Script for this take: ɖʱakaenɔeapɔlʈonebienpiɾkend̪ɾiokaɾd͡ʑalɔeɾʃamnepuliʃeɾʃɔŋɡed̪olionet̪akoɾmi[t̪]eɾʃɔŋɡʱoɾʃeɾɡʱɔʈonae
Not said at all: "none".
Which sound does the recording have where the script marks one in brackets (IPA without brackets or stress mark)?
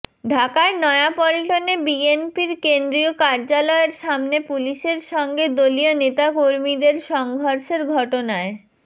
d̪